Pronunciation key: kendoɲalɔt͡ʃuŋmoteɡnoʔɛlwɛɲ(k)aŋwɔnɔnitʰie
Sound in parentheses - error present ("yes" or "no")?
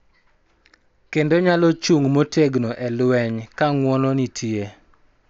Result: no